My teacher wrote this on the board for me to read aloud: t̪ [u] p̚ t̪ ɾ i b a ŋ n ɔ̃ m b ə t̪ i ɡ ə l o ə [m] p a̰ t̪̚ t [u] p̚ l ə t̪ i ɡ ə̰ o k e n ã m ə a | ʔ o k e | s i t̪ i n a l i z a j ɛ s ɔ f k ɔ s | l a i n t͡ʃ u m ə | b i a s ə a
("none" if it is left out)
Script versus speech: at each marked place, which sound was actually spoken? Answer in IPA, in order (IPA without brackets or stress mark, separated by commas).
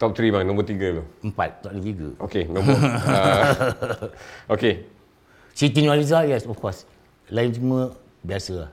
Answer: ɔ, m, ɔ